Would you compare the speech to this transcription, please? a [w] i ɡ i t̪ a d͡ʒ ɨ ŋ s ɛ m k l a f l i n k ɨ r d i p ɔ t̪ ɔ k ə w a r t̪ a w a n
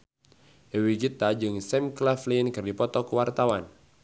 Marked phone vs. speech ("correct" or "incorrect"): correct